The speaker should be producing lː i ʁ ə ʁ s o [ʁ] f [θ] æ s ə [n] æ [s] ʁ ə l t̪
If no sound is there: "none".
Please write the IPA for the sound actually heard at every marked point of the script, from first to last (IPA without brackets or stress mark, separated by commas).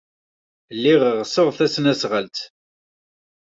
ʁ, θ, n, s